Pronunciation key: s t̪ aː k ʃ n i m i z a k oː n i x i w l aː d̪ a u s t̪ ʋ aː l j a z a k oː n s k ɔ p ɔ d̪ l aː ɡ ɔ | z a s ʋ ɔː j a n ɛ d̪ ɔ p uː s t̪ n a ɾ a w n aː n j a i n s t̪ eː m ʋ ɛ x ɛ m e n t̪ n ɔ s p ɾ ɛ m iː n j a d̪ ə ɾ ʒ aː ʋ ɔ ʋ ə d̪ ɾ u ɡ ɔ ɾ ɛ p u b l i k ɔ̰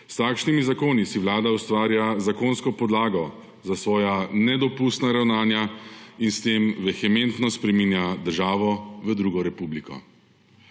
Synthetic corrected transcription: s t̪ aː k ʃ n i m i z a k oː n i s i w l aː d̪ a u s t̪ ʋ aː ɾ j a z a k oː n s k ɔ p ɔ d̪ l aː ɡ ɔ | z a s ʋ ɔː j a n ɛ d̪ ɔ p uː s t̪ n a ɾ a w n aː n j a i n s t̪ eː m ʋ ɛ x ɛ m e n t̪ n ɔ s p ɾ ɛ m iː n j a d̪ ə ɾ ʒ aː ʋ ɔ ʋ ə d̪ ɾ u ɡ ɔ ɾ ɛ p u b l i k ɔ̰

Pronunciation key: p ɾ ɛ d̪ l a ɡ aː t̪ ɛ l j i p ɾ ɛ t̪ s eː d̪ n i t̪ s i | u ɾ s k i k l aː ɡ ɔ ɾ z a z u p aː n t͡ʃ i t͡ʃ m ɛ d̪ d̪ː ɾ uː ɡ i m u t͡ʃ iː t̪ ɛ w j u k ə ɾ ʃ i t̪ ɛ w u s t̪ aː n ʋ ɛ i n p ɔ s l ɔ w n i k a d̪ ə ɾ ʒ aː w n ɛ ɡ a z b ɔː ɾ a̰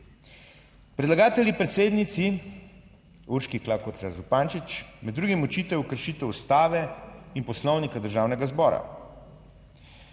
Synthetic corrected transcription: p ɾ ɛ d̪ l a ɡ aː t̪ ɛ l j i p ɾ ɛ t̪ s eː d̪ n i t̪ s i | u ɾ ʃ k i k l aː k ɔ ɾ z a z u p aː n t͡ʃ i t͡ʃ m ɛ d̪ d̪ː ɾ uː ɡ i m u t͡ʃ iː t̪ ɛ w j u k ə ɾ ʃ i t̪ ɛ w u s t̪ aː ʋ ɛ i n p ɔ s l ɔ w n i k a d̪ ə ɾ ʒ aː w n ɛ ɡ a z b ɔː ɾ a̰

